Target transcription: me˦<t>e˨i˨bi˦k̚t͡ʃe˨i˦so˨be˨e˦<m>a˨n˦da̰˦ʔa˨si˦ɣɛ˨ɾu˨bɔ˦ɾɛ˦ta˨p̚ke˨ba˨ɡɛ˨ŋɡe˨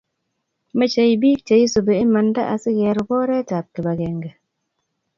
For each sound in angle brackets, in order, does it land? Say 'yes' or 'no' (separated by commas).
no, yes